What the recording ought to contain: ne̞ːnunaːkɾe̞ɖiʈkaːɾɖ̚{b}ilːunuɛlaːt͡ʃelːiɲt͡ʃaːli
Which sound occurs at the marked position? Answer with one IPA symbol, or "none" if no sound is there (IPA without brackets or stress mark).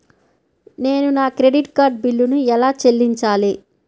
b